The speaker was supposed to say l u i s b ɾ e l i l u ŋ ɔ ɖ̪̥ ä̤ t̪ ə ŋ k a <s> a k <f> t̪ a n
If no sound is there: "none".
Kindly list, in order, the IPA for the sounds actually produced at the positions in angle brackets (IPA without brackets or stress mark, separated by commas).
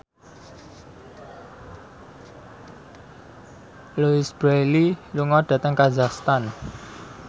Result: z, s